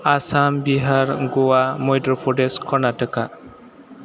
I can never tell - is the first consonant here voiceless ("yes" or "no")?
yes